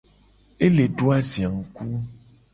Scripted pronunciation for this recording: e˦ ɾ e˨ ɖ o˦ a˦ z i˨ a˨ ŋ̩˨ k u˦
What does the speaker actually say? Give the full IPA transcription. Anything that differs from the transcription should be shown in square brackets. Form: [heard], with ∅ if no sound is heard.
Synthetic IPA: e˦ [l] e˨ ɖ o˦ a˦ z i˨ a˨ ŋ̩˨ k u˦